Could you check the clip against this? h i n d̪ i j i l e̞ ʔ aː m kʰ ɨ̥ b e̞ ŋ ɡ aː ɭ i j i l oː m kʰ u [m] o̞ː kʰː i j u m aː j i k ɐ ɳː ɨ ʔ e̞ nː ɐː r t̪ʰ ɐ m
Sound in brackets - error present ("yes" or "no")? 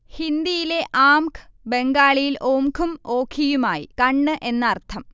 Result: no